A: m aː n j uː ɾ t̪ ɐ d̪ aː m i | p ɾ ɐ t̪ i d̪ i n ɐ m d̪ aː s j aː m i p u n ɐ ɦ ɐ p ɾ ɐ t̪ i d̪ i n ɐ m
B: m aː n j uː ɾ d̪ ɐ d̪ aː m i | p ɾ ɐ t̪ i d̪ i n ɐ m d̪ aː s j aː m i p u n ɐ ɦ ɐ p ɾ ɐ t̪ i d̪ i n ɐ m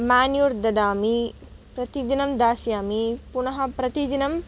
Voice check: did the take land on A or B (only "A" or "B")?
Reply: B